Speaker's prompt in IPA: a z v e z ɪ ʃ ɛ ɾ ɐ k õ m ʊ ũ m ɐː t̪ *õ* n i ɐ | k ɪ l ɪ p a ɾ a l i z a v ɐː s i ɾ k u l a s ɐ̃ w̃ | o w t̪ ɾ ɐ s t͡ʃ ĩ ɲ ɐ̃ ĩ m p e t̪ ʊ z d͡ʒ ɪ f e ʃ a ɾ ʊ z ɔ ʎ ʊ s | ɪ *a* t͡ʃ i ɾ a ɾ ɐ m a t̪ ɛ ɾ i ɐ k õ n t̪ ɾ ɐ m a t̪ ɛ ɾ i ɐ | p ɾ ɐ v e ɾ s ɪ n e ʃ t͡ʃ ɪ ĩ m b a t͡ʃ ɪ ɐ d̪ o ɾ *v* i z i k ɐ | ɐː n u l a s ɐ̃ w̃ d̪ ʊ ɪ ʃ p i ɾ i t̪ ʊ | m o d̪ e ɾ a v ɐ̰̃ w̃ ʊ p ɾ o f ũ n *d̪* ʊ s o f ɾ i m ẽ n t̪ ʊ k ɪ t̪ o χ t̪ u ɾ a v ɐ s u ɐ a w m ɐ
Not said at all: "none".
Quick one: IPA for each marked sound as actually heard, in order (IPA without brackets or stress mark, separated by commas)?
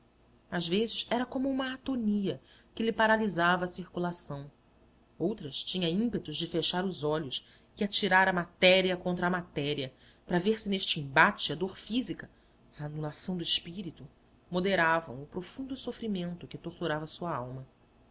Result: o, a, f, d̪